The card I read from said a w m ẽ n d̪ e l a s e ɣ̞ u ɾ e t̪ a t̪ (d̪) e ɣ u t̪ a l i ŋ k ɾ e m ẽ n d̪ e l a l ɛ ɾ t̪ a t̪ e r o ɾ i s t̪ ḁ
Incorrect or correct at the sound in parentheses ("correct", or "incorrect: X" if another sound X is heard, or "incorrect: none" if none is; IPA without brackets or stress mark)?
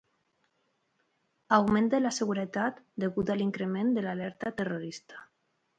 correct